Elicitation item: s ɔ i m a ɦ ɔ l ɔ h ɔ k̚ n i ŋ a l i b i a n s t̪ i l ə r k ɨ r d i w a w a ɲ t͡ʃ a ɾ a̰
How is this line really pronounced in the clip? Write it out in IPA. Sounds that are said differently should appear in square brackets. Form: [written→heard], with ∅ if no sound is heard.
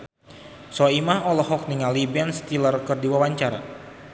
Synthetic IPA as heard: s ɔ i m a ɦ ɔ l ɔ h ɔ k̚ n i ŋ a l i b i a n s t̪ i l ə r k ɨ r d i w a w a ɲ t͡ʃ a ɾ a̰